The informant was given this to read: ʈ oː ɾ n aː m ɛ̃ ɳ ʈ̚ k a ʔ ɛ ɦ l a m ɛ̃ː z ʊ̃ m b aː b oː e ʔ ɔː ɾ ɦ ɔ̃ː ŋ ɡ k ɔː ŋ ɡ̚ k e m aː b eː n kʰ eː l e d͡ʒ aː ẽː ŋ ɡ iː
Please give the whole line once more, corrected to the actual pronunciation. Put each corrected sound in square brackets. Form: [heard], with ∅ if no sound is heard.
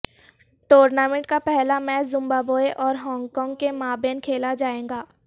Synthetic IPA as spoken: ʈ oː ɾ n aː m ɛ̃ ɳ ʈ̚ k a [p] ɛ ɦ l a m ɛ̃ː z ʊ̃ m b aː b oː e ʔ ɔː ɾ ɦ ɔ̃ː ŋ ɡ k ɔː ŋ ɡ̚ k e m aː b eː n kʰ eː l [a] d͡ʒ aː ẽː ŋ ɡ [aː]